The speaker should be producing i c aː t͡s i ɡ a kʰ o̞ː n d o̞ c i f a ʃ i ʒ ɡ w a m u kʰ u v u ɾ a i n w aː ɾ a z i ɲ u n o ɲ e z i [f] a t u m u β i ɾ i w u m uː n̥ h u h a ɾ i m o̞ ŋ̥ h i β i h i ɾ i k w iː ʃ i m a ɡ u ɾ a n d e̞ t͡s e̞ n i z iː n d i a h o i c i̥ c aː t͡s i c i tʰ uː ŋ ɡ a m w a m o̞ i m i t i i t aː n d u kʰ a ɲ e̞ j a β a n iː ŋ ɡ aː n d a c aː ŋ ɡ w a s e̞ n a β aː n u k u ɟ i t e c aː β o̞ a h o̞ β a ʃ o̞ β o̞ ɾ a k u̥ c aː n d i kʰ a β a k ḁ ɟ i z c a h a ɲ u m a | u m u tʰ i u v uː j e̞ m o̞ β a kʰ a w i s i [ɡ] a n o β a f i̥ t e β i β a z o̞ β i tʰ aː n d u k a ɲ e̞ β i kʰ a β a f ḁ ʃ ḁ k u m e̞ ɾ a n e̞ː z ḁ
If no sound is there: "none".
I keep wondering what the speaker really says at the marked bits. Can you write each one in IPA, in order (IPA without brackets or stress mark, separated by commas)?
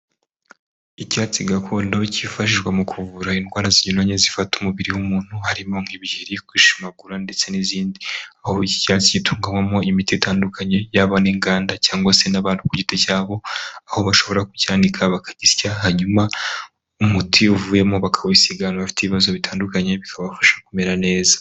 f, ɡ